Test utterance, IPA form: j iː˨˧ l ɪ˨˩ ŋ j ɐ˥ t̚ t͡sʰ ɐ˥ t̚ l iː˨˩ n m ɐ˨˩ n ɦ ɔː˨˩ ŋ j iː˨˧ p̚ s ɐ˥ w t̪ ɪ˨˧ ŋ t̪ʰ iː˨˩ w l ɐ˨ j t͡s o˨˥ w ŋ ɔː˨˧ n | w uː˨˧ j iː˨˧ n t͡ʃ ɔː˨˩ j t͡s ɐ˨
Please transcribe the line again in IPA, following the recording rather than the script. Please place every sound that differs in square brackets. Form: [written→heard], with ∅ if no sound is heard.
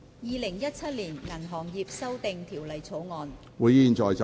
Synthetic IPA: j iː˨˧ l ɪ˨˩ ŋ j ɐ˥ t̚ t͡sʰ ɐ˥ t̚ l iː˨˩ n [m→ŋ] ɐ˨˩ n ɦ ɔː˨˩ ŋ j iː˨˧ p̚ s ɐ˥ w t̪ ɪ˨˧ ŋ t̪ʰ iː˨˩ w l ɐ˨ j [t͡s→t͡sʰ] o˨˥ w ŋ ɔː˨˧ n | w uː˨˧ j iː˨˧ n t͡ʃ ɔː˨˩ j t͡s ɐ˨

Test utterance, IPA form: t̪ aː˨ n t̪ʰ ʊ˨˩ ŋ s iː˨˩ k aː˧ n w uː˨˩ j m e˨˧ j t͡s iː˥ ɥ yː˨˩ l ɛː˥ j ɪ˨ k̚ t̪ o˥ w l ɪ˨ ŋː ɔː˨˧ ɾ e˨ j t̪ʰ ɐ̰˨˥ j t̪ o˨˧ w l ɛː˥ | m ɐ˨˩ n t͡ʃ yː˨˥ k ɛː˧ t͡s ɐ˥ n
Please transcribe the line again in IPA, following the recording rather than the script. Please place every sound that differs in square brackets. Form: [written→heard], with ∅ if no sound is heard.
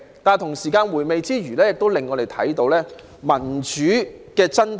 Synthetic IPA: t̪ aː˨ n t̪ʰ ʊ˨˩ ŋ s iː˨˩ k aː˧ n w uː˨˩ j m e˨˧ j t͡s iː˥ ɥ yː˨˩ l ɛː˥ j ɪ˨ k̚ t̪ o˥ w l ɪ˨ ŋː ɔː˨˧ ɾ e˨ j t̪ʰ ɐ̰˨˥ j t̪ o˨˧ w l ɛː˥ | m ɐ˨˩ n t͡ʃ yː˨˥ k ɛː˧ t͡s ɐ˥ n

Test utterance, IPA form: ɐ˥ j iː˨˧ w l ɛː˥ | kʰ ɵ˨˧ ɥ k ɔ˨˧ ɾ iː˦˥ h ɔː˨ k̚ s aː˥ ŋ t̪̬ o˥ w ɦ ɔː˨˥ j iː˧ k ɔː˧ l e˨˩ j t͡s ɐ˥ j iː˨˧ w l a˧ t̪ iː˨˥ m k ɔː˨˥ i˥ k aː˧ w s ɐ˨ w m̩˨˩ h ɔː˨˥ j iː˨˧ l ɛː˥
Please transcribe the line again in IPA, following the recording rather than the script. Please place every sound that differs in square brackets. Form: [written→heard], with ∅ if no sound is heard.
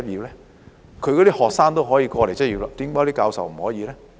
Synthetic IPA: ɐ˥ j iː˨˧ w l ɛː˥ | kʰ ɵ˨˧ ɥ k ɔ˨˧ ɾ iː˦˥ h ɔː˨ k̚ s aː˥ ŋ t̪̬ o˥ w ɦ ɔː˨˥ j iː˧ k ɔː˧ l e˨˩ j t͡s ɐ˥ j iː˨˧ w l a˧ t̪ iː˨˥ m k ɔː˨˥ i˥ k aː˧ w s ɐ˨ w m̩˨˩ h ɔː˨˥ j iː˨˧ l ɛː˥

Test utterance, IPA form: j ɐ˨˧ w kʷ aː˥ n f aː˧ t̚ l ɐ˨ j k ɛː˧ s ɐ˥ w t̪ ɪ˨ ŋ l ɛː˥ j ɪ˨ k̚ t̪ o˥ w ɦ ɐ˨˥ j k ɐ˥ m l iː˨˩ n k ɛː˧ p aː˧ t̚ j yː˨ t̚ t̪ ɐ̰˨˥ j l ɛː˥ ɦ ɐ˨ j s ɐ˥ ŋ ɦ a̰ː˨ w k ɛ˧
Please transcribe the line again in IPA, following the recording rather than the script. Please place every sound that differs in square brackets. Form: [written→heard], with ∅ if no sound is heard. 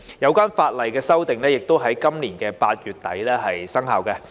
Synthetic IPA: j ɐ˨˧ w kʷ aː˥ n f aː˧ t̚ l ɐ˨ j k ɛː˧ s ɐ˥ w t̪ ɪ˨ ŋ l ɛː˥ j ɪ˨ k̚ t̪ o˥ w ɦ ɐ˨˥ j k ɐ˥ m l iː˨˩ n k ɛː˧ p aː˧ t̚ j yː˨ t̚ t̪ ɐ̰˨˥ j l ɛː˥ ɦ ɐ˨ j s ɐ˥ ŋ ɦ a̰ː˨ w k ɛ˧

